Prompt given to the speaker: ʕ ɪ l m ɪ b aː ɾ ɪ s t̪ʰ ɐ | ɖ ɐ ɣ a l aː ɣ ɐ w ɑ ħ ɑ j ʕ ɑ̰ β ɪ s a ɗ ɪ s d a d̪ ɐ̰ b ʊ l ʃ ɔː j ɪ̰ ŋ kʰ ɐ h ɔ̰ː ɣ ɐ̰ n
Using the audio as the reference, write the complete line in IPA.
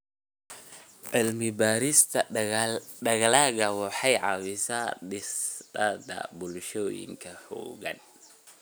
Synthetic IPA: ʕ ɪ l m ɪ b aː ɾ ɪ s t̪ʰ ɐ | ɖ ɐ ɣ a l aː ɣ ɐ w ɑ ħ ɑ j ʕ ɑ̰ w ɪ s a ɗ ɪ s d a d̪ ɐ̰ b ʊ l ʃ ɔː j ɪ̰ ŋ kʰ ɐ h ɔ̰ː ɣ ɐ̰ n

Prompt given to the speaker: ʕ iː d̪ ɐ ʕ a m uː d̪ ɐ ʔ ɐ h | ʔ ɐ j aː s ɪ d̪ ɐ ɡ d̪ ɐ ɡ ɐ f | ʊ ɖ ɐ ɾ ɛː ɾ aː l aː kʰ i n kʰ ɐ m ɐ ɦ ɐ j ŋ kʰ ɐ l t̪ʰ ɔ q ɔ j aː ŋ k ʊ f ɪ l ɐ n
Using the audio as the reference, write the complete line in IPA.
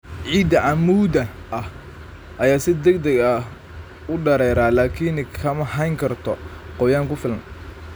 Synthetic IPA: ʕ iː d̪ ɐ ʕ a m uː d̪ ɐ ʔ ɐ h | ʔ ɐ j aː s ɪ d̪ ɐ ɡ d̪ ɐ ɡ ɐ | ʊ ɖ ɐ ɾ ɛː ɾ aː l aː kʰ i n kʰ ɐ m ɐ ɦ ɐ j ŋ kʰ ɐ r t̪ʰ ɔ q ɔ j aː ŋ k ʊ f ɪ l ɐ n

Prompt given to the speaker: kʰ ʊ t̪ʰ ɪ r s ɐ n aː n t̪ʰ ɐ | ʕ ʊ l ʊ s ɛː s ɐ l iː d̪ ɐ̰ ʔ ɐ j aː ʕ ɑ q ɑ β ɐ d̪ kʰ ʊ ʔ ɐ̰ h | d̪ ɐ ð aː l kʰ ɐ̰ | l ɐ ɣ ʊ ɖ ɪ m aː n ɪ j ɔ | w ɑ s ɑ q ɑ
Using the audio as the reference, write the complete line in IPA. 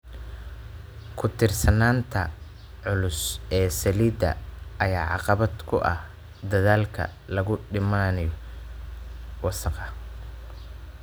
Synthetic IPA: kʰ ʊ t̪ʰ ɪ r s ɐ n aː n t̪ʰ ɐ | ʕ ʊ l ʊ s ɛː s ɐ l iː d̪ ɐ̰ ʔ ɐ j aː ʕ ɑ q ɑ β ɐ d̪ kʰ ʊ ʔ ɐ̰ h | d̪ ɐ ð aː l kʰ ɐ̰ | l ɐ ɣ ʊ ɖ ɪ m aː n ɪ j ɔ | w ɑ s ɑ q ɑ

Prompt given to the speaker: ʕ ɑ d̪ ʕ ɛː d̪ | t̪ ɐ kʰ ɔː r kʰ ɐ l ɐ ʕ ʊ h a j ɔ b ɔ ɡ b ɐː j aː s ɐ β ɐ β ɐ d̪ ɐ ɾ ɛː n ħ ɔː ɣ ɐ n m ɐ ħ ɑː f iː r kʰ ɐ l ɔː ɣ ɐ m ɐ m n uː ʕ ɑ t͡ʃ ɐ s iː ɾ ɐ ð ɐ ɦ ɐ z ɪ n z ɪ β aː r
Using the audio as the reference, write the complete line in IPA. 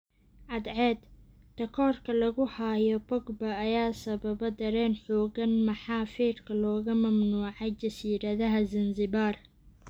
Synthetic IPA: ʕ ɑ d̪ ʕ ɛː d̪ | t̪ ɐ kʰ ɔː r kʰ ɐ l ɐ ɣ ʊ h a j ɔ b ɔ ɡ b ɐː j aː s ɐ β ɐ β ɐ d̪ ɐ ɾ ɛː n ħ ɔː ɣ ɐ n m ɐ ħ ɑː f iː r kʰ ɐ l ɔː ɣ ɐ m ɐ m n uː ʕ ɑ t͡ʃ ɐ s iː ɾ ɐ ð ɐ ɦ ɐ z ɪ n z ɪ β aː r

